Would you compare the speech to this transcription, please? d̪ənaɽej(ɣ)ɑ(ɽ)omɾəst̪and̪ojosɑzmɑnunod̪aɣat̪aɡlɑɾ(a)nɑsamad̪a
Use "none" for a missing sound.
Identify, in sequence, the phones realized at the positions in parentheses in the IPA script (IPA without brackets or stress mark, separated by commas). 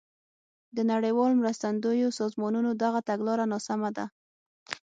w, l, a